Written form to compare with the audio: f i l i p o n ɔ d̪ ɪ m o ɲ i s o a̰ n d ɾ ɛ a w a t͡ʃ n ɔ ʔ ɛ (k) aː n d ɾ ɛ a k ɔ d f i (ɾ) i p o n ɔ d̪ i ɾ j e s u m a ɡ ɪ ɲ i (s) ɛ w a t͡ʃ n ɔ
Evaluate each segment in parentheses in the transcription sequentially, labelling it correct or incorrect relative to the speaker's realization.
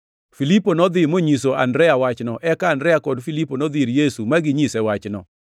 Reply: correct, incorrect, correct

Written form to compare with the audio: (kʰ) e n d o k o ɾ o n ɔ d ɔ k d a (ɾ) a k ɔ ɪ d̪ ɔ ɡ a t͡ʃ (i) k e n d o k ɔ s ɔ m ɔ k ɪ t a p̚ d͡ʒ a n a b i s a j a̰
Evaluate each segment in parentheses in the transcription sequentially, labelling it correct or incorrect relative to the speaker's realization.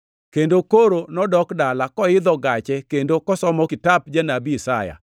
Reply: incorrect, incorrect, incorrect

